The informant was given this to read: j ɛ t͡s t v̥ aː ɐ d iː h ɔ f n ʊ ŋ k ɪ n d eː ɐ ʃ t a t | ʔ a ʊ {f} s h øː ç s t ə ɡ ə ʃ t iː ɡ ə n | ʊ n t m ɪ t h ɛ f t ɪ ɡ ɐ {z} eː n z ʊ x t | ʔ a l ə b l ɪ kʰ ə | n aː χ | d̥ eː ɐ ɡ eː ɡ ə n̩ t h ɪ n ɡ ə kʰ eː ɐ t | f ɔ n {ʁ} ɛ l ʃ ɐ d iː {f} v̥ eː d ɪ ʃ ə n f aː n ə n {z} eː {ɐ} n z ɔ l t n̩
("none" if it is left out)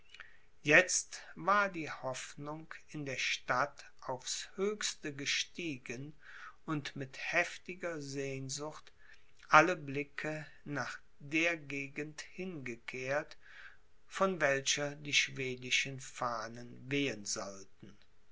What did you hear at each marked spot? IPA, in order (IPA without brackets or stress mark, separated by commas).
f, z, v, ʃ, v, ə